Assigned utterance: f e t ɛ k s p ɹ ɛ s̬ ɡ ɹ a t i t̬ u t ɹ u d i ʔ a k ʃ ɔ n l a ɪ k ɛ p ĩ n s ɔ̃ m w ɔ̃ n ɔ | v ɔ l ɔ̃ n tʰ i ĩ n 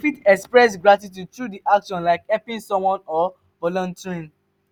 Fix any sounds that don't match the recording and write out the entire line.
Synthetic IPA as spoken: f i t ɛ k s p ɹ ɛ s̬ ɡ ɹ a t i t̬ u t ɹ u d i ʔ a k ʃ ɔ̃ n l a ɪ k ɛ p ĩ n s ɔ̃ m w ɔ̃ n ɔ | v ɔ l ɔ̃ n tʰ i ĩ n